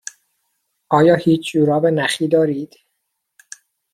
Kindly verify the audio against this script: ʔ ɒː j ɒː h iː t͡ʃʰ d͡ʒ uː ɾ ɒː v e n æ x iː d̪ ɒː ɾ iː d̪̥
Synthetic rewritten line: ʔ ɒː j ɒː h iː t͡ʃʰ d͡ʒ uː ɾ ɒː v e n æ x iː d̪ ɒː ɾ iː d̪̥